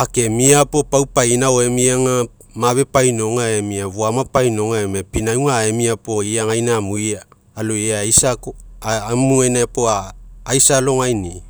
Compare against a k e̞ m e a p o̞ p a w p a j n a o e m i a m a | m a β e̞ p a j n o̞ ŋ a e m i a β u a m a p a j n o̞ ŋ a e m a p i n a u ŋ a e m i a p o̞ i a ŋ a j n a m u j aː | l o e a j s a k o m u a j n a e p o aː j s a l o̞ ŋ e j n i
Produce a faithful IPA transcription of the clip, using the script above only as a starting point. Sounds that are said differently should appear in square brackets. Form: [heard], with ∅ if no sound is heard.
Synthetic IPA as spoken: a k e̞ m [i] a p o̞ p a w p a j n a o e m i a [ŋ] a | m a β e̞ p a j n o̞ ŋ a e m i a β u a m a p a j n o̞ ŋ a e m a p i n a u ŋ a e m i a p o̞ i a ŋ a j n a m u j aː | l o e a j s a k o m u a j n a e p o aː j s a l o̞ ŋ [a] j n i